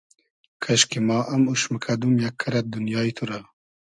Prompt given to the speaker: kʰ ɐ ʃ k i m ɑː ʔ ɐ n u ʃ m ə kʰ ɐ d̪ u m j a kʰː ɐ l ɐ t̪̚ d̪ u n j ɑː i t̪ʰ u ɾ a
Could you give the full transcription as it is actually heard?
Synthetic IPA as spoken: kʰ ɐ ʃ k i m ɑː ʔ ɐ m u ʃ m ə kʰ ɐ d̪ u m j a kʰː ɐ ɾ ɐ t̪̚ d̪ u n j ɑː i t̪ʰ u ɾ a